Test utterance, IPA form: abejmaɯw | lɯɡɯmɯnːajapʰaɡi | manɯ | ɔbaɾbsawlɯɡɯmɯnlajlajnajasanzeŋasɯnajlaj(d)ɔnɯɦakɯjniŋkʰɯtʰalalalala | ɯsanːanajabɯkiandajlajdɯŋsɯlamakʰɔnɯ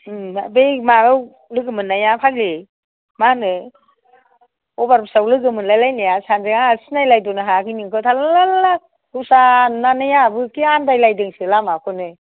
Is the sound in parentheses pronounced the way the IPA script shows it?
yes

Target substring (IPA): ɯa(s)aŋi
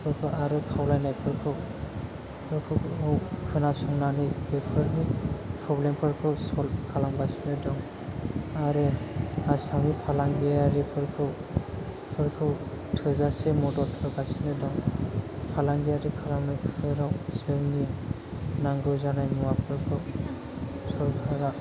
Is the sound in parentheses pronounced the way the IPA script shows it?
yes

